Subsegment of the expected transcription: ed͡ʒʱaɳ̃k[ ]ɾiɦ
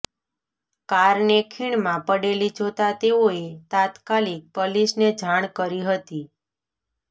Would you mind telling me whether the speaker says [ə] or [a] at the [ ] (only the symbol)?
ə